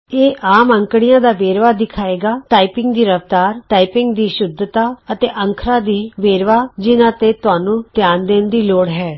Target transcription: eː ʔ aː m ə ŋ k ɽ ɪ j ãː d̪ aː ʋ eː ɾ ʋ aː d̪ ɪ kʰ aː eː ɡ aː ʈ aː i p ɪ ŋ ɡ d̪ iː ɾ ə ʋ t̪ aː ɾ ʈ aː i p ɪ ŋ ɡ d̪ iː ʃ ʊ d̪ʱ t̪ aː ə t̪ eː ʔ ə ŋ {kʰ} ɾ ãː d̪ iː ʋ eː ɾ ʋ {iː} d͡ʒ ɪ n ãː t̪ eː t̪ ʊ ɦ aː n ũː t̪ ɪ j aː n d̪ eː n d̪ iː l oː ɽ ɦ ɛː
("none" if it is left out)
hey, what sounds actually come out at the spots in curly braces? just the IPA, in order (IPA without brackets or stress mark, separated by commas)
kʰ, aː